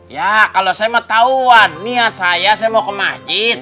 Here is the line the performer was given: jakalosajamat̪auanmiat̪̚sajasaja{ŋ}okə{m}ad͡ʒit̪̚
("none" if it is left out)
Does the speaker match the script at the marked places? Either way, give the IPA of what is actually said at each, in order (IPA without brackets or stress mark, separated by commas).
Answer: m, m